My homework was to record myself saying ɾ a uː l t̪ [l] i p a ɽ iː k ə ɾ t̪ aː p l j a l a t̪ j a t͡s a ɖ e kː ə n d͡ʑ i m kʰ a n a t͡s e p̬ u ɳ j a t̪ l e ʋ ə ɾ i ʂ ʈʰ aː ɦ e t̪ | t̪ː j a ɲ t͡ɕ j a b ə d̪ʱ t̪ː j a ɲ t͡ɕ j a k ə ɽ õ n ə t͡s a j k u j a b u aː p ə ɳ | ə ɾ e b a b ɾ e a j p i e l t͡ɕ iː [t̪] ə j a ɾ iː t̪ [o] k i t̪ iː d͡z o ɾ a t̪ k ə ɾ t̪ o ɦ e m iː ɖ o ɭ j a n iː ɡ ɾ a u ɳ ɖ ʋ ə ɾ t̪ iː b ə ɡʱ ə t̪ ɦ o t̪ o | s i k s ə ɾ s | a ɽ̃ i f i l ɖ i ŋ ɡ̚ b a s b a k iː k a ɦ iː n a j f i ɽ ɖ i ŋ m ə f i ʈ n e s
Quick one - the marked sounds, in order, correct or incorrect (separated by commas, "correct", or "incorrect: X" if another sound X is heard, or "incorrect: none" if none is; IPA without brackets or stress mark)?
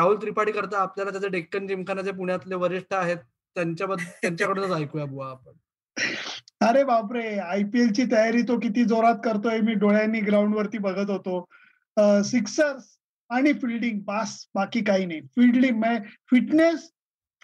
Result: incorrect: ɾ, correct, correct